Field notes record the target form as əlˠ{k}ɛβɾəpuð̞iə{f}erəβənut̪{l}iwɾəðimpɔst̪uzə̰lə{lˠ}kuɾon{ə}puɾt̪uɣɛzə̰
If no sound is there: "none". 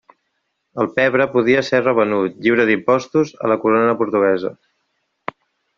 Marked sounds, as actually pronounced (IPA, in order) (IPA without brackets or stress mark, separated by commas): p, s, ʎ, none, ə